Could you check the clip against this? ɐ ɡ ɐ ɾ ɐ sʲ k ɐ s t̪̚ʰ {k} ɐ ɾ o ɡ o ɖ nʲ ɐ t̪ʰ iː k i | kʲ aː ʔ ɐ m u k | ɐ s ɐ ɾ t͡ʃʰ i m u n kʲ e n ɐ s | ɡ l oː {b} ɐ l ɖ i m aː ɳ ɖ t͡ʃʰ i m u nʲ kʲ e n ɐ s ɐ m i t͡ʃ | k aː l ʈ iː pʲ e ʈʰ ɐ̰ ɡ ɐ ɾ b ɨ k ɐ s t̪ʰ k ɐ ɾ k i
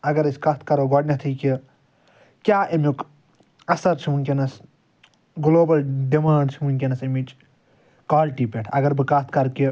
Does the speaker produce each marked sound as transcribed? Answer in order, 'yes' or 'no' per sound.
yes, yes

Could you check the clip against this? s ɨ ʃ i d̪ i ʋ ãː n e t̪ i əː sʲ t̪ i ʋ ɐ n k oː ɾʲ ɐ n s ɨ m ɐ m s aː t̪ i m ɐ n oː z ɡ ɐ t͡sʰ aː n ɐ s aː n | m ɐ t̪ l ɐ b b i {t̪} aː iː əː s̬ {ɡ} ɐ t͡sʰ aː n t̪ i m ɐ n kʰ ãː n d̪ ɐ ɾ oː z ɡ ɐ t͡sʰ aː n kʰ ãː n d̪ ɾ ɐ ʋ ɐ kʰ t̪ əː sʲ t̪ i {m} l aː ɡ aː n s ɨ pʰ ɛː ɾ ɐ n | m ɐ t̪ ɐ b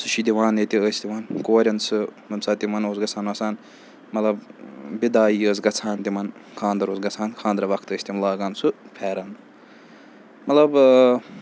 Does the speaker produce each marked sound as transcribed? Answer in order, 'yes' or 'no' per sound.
no, yes, yes

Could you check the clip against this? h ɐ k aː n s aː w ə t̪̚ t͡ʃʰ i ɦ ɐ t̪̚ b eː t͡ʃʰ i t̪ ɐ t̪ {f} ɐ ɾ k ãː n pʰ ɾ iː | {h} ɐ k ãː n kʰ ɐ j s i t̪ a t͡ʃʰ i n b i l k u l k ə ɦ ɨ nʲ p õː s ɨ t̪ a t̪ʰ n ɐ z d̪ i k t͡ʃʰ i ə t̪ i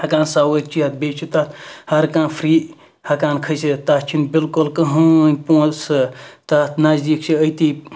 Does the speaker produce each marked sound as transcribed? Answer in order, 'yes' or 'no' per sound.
no, yes

